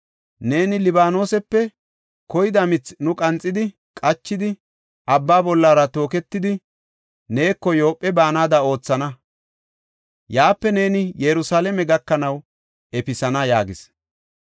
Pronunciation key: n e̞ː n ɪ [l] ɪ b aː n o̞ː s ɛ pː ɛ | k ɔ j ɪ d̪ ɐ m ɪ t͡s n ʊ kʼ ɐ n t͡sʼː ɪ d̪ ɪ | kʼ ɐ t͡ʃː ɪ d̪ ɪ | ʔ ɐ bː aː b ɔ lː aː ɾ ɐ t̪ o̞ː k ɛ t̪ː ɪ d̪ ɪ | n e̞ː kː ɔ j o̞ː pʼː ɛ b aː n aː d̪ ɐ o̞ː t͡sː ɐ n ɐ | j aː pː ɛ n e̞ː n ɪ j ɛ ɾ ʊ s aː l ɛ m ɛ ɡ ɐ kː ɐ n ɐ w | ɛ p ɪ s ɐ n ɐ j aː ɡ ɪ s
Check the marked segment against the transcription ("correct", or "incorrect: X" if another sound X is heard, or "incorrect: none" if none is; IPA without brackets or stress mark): correct